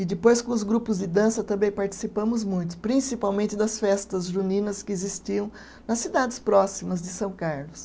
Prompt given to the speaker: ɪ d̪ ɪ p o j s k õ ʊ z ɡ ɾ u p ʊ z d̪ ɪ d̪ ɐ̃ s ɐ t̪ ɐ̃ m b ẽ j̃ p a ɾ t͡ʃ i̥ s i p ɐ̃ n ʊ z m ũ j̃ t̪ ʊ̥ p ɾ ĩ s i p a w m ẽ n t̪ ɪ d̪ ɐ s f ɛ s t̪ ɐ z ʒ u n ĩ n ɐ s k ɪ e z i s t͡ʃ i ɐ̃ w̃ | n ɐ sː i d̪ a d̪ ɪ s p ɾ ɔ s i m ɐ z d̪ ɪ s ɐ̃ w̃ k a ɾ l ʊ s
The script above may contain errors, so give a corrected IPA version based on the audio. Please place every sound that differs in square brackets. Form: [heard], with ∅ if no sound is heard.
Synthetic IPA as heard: ɪ d̪ ɪ p o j s k õ ʊ z ɡ ɾ u p ʊ z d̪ ɪ d̪ ɐ̃ s ɐ t̪ ɐ̃ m b ẽ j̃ p a ɾ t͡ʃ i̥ s i p ɐ̃ [m] ʊ z m ũ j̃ t̪ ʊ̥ p ɾ ĩ s i p a w m ẽ n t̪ ɪ d̪ ɐ s f ɛ s t̪ ɐ z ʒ u n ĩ n ɐ s k ɪ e z i s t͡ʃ i ɐ̃ w̃ | n ɐ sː i d̪ a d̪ ɪ s p ɾ ɔ s i m ɐ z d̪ ɪ s ɐ̃ w̃ k a ɾ l ʊ s